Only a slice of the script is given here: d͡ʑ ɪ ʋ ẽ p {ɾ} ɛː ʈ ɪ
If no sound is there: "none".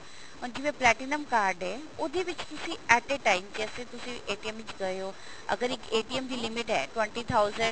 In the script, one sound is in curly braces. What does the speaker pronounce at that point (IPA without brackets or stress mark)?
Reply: l